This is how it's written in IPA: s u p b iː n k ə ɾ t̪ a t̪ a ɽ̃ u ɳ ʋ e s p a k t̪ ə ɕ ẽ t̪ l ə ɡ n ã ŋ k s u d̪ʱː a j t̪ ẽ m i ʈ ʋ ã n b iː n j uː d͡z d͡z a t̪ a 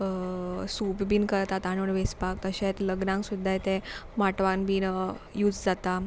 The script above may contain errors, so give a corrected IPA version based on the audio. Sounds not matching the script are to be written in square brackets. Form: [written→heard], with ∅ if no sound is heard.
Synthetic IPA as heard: s u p b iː n k ə ɾ t̪ a t̪ a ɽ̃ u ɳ ʋ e s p a k t̪ ə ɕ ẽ t̪ l ə ɡ n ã ŋ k s u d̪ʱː a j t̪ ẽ m [i→a] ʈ ʋ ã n b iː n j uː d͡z d͡z a t̪ a